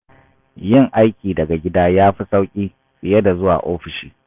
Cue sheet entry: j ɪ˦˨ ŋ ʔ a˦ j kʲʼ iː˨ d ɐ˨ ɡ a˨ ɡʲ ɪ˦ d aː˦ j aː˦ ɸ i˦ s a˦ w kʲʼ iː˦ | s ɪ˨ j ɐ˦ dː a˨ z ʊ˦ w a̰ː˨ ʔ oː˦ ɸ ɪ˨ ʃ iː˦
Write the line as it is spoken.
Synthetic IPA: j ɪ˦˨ ŋ ʔ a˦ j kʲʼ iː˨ d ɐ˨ ɡ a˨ ɡʲ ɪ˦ d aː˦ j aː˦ ɸ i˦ s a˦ w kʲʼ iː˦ | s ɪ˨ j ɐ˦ d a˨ z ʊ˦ w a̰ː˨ ʔ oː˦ ɸ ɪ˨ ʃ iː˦

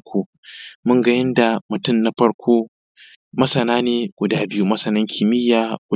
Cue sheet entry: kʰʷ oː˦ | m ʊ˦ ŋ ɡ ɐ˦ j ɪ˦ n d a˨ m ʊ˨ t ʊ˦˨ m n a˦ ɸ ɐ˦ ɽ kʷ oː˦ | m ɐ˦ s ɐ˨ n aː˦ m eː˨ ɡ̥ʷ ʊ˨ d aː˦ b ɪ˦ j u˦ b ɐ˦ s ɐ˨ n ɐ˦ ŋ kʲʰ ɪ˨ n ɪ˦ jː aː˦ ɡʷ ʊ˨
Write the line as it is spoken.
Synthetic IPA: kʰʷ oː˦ | m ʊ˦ ŋ ɡ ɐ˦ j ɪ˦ n d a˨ m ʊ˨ t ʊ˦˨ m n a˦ ɸ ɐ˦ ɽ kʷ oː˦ | m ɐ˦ s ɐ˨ n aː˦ n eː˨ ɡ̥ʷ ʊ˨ d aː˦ b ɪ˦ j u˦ m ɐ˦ s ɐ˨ n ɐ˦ ŋ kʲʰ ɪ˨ m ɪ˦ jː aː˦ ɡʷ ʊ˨

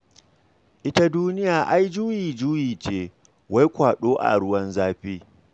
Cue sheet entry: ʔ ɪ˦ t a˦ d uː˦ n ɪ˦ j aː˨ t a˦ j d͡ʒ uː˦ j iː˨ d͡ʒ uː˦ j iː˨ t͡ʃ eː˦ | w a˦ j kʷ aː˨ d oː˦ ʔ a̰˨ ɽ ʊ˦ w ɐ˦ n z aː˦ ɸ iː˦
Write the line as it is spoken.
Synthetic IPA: ʔ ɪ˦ t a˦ d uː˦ n ɪ˦ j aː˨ ʔ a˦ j d͡ʒ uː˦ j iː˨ d͡ʒ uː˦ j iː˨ t͡ʃ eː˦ | w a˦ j kʷ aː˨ ɗ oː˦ ʔ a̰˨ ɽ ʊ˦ w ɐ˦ n z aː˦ ɸ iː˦

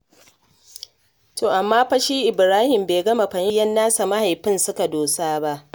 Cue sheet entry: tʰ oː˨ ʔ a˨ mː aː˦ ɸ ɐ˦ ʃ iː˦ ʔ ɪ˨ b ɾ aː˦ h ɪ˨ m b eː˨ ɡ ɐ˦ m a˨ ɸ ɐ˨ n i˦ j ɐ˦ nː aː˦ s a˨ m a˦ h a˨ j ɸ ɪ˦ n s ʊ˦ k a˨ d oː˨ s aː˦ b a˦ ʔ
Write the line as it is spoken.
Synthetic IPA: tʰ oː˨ ʔ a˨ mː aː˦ ɸ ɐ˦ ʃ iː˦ ʔ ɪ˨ b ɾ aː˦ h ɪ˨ m b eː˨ ɡ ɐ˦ m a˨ ɸ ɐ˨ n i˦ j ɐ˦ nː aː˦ s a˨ m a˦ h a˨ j ɸ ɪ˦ n s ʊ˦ k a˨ d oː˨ s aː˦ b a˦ ʔ

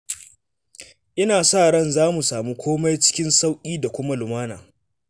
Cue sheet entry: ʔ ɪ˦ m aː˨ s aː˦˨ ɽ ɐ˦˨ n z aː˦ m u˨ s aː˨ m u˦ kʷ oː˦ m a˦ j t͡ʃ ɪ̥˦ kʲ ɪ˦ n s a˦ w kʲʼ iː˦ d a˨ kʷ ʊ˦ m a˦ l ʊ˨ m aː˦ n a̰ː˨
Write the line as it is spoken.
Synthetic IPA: ʔ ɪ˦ n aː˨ s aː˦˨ ɽ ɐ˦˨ n z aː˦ m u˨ s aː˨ m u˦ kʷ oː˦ m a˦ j t͡ʃ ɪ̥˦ kʲ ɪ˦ n s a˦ w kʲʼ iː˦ d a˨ kʷ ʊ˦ m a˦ l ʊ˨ m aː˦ n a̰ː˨

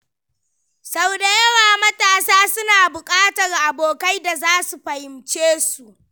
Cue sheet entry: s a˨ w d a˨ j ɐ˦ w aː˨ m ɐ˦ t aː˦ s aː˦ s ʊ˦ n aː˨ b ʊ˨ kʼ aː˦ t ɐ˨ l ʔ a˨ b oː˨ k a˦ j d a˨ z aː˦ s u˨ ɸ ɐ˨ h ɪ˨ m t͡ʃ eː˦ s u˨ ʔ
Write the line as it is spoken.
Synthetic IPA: s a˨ w d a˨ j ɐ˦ w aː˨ m ɐ˦ t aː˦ s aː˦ s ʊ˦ n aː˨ b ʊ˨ kʼ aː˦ t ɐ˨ r ʔ a˨ b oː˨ k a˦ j d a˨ z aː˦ s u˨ ɸ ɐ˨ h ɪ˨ m t͡ʃ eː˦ s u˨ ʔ

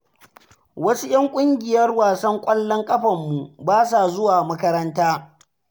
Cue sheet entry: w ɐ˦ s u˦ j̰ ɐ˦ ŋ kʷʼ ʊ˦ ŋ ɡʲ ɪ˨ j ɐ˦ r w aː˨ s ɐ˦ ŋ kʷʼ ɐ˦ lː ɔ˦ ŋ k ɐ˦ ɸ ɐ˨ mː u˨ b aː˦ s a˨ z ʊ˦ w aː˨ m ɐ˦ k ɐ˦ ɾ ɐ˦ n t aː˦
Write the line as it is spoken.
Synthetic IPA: w ɐ˦ s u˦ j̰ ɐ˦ ŋ kʷʼ ʊ˦ ŋ ɡʲ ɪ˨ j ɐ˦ r w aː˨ s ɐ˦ ŋ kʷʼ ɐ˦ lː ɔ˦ ŋ kʼ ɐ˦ ɸ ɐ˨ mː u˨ b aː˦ s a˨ z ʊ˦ w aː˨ m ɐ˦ k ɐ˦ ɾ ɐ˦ n t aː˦

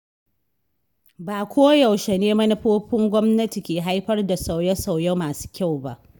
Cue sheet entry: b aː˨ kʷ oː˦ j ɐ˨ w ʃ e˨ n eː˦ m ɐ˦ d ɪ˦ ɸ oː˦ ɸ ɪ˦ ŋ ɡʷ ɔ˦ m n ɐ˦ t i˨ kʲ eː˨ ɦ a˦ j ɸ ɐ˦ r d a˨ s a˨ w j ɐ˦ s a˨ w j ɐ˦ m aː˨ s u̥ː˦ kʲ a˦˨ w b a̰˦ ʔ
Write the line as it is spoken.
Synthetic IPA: b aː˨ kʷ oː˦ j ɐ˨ w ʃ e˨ n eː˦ m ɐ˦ n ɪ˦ ɸ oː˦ ɸ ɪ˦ ŋ ɡʷ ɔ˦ m n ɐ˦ t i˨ kʲ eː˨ ɦ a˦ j ɸ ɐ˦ r d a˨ s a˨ w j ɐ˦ s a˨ w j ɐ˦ m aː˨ s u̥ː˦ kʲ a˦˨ w b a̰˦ ʔ

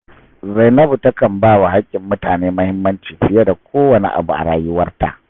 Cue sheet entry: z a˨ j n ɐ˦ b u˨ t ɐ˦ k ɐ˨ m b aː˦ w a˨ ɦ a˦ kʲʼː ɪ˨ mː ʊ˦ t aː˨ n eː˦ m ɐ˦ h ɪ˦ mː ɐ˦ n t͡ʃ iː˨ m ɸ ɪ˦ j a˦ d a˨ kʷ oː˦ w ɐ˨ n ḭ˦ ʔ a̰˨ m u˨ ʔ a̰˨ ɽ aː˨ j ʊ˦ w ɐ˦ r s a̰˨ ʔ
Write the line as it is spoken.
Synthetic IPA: z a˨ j n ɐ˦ b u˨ t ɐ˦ k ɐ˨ m b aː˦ w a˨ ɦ a˦ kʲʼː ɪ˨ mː ʊ˦ t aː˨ n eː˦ m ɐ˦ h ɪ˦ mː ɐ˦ n t͡ʃ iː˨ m ɸ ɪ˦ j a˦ d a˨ kʷ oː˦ w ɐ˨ n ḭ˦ ʔ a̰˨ b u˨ ʔ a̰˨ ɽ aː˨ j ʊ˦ w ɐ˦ r t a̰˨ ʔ

